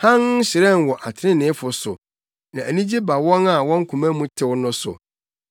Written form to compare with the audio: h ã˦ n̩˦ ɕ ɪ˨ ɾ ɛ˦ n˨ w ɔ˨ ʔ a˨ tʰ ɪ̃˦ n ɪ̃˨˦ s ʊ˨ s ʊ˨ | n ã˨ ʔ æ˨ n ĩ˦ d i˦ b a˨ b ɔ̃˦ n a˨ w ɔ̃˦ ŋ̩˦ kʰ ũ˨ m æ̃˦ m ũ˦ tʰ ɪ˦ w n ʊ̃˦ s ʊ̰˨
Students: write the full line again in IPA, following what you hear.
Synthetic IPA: h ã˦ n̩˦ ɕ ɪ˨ ɾ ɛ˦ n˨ w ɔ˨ ʔ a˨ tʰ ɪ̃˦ n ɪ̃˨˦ f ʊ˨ s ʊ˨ | n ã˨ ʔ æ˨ n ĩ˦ d͡ʑ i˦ b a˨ w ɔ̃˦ n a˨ w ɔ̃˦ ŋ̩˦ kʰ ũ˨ m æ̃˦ m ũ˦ tʰ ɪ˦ w n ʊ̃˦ s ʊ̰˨